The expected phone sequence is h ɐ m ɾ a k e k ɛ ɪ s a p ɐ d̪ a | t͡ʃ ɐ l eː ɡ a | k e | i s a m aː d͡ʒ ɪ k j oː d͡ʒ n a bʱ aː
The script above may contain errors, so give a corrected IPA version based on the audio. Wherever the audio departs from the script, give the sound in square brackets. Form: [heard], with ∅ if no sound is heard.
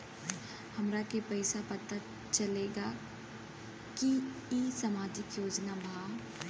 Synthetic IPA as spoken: h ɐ m ɾ a k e [p] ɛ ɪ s a p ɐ [t̪] a | t͡ʃ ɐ l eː ɡ a | k [i] | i s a m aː d͡ʒ ɪ k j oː d͡ʒ n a bʱ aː